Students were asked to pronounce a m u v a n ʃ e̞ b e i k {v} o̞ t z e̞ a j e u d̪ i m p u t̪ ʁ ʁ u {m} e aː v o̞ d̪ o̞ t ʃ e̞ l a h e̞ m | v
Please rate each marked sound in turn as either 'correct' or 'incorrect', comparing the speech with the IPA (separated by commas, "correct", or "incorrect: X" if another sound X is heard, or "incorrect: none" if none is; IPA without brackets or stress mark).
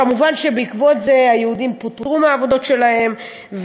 correct, correct